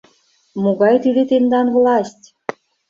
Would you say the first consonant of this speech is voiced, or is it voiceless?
voiced